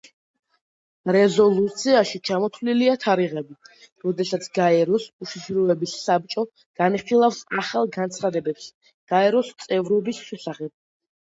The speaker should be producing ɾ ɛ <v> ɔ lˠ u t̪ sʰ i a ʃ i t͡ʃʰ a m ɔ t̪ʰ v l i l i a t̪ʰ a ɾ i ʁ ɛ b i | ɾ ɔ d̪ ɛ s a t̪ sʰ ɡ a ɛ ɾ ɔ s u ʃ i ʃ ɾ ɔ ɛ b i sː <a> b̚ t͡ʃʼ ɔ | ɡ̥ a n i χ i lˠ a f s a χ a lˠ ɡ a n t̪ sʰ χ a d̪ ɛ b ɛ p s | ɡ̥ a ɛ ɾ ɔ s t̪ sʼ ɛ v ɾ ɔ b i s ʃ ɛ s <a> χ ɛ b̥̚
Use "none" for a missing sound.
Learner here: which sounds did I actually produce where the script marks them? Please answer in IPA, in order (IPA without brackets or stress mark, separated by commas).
z, a, a